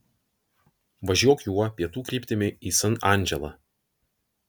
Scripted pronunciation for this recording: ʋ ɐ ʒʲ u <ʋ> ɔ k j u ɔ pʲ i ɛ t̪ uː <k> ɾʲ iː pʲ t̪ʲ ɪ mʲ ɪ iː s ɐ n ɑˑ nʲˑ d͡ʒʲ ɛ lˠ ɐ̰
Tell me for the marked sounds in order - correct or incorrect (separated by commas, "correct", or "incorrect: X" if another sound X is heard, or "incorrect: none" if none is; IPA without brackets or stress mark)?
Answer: incorrect: none, correct